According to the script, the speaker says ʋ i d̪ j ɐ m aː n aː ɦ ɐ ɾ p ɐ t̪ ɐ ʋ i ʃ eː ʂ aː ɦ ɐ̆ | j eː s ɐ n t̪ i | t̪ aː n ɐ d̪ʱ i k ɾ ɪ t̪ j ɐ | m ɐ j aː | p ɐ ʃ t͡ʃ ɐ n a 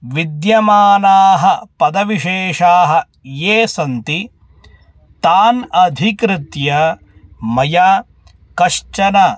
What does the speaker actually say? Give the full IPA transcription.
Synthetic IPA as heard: ʋ i d̪ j ɐ m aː n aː ɦ ɐ p ɐ d̪ ɐ ʋ i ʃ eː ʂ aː ɦ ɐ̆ | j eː s ɐ n t̪ i | t̪ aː n ɐ d̪ʱ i k ɾ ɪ t̪ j ɐ | m ɐ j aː | k ɐ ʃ t͡ʃ ɐ n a